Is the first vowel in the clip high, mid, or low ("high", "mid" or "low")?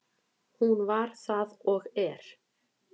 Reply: high